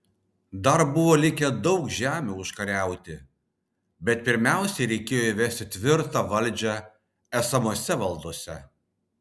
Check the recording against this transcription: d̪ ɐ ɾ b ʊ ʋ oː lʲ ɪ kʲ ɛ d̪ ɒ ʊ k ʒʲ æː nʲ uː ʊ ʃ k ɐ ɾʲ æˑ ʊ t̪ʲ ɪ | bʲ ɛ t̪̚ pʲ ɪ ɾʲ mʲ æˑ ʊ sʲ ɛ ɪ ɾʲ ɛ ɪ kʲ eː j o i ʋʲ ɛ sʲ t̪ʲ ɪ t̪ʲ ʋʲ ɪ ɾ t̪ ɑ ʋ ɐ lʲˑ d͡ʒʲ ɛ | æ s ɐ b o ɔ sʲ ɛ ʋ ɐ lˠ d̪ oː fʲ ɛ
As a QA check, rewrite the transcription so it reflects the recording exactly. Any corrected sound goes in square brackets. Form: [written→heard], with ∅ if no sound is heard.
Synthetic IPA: d̪ ɐ ɾ b ʊ ʋ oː lʲ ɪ kʲ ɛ d̪ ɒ ʊ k ʒʲ æː [nʲ→mʲ] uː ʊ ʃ k ɐ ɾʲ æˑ ʊ t̪ʲ ɪ | bʲ ɛ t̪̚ pʲ ɪ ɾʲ mʲ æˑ ʊ sʲ ɛ ɪ ɾʲ ɛ ɪ kʲ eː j o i ʋʲ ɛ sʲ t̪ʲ ɪ t̪ʲ ʋʲ ɪ ɾ t̪ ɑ ʋ ɐ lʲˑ d͡ʒʲ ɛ | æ s ɐ [b→m] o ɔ sʲ ɛ ʋ ɐ lˠ d̪ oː [fʲ→sʲ] ɛ

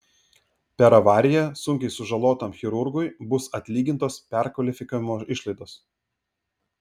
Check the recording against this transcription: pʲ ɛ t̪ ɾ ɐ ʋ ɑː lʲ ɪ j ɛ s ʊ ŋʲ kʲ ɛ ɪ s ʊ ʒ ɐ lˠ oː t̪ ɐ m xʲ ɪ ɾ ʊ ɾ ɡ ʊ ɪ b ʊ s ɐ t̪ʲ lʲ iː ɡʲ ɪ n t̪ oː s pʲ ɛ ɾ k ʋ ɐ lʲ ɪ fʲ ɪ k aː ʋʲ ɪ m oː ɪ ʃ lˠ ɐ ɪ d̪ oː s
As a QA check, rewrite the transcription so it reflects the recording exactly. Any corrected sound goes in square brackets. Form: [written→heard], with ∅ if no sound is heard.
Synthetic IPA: pʲ ɛ [t̪→∅] ɾ ɐ ʋ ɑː [lʲ→ɾʲ] ɪ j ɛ s ʊ ŋʲ kʲ ɛ ɪ s ʊ ʒ ɐ lˠ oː t̪ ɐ m xʲ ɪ ɾ ʊ ɾ ɡ ʊ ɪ b ʊ s ɐ t̪ʲ lʲ iː ɡʲ ɪ n t̪ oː s pʲ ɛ ɾ k ʋ ɐ lʲ ɪ fʲ ɪ k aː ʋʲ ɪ m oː ɪ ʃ lˠ ɐ ɪ d̪ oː s

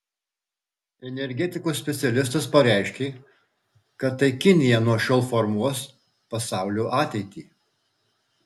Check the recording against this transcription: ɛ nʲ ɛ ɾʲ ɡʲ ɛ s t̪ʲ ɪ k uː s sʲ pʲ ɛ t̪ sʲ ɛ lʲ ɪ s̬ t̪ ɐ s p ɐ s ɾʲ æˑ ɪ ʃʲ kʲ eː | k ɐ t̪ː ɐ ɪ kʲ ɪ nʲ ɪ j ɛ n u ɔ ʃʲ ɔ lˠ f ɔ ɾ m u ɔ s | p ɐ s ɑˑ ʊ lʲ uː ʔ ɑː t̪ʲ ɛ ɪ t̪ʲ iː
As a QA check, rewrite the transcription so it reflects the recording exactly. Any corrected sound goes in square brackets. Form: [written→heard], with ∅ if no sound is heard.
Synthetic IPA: ɛ nʲ ɛ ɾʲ ɡʲ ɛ [s→∅] t̪ʲ ɪ k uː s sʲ pʲ ɛ t̪ sʲ ɛ lʲ ɪ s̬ t̪ ɐ s p ɐ [s→∅] ɾʲ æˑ ɪ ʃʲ kʲ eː | k ɐ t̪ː ɐ ɪ kʲ ɪ nʲ ɪ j ɛ n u ɔ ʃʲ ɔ lˠ f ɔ ɾ m u ɔ s | p ɐ s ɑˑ ʊ lʲ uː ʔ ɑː t̪ʲ ɛ ɪ t̪ʲ iː

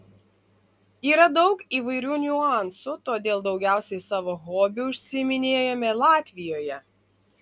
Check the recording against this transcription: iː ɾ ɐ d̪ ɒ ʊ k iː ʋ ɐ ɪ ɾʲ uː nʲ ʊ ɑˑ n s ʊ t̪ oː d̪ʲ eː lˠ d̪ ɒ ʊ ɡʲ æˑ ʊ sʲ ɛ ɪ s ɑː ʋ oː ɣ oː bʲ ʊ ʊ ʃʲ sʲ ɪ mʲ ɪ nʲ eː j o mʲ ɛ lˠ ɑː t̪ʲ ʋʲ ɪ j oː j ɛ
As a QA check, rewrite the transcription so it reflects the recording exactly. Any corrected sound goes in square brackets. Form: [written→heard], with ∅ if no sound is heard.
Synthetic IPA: iː ɾ ɐ d̪ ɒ ʊ k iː ʋ ɐ ɪ ɾʲ uː nʲ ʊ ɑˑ n s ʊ t̪ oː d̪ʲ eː lˠ d̪ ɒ ʊ ɡʲ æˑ ʊ sʲ ɛ ɪ s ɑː ʋ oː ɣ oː bʲ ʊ ʊ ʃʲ sʲ ɪ mʲ ɪ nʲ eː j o mʲ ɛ lˠ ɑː t̪ʲ ʋʲ ɪ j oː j ɛ

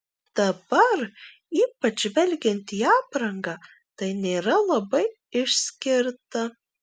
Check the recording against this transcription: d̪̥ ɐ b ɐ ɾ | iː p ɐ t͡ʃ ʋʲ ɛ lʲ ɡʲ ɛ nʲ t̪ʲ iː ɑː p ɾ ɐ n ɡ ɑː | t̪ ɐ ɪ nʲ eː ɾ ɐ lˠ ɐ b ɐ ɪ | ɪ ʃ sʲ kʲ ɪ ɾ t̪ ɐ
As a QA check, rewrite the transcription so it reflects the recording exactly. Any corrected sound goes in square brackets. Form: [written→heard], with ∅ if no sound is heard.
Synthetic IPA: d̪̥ ɐ b ɐ ɾ | iː p ɐ t͡ʃ ʋʲ ɛ lʲ ɡʲ ɛ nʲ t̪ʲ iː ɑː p ɾ ɐ [n→ŋ] ɡ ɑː | t̪ ɐ ɪ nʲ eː ɾ ɐ lˠ ɐ b ɐ ɪ | ɪ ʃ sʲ kʲ ɪ ɾ t̪ ɐ

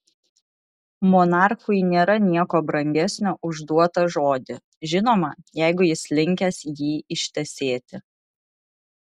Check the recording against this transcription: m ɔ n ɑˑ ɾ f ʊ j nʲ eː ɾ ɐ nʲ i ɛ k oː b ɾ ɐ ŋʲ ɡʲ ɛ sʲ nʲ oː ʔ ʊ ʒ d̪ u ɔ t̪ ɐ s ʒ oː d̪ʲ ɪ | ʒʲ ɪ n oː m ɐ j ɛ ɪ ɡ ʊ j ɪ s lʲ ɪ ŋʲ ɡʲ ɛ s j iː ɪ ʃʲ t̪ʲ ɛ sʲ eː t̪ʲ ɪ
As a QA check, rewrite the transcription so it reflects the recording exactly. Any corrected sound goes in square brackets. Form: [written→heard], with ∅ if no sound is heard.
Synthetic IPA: m ɔ n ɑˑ ɾ [f→x] ʊ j nʲ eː ɾ ɐ nʲ i ɛ k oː b ɾ ɐ ŋʲ ɡʲ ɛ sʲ nʲ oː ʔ ʊ ʒ d̪ u ɔ t̪ ɐ [s→∅] ʒ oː d̪ʲ ɪ | ʒʲ ɪ n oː m ɐ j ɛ ɪ ɡ ʊ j ɪ s lʲ ɪ ŋʲ [ɡʲ→kʲ] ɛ s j iː ɪ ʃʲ t̪ʲ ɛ sʲ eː t̪ʲ ɪ

